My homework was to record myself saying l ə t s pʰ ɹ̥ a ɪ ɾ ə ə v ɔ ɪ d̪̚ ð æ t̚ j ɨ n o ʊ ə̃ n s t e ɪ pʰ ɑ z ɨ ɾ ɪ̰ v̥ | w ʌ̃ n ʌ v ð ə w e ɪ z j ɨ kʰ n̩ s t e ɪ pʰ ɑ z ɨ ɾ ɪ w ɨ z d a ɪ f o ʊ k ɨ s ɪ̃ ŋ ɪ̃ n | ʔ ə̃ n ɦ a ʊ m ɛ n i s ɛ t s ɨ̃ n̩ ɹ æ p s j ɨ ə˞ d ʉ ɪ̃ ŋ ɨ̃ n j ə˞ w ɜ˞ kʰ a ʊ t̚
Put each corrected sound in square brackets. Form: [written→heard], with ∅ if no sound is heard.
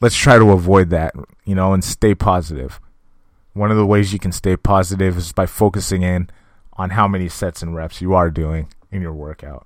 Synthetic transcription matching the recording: l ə t s [pʰ→tʰ] ɹ̥ a ɪ ɾ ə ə v ɔ ɪ d̪̚ ð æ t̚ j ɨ n o ʊ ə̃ n s t e ɪ pʰ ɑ z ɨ ɾ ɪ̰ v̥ | w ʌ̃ n ʌ v ð ə w e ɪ z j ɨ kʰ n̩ s t e ɪ pʰ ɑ z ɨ ɾ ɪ [w→v] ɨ z [d→b] a ɪ f o ʊ k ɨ s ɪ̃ ŋ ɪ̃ n | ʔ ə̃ n ɦ a ʊ m ɛ n i s ɛ t s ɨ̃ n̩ ɹ [æ→ɛ] p s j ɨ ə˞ d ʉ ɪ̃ ŋ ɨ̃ n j ə˞ w ɜ˞ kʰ a ʊ t̚